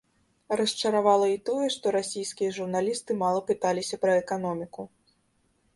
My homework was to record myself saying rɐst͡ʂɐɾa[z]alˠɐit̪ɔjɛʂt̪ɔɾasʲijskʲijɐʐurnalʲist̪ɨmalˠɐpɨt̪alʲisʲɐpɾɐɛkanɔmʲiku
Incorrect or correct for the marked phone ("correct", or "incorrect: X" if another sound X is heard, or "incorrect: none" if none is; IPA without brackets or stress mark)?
incorrect: v